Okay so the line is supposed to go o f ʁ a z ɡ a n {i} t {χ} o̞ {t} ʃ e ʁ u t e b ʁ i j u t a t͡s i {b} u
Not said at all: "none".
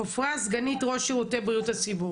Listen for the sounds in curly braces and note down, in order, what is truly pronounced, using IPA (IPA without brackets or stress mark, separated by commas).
i, ʁ, none, b